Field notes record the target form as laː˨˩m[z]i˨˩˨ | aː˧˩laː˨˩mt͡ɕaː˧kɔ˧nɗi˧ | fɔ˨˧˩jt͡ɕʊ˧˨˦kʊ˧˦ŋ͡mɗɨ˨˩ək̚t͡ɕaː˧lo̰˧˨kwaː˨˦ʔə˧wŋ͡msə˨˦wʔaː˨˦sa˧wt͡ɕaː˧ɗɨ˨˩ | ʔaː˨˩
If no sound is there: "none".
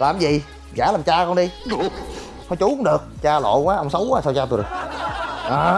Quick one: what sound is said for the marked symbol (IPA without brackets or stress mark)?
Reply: z